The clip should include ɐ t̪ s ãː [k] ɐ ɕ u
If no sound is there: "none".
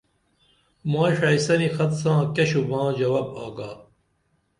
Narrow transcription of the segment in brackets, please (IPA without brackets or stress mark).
k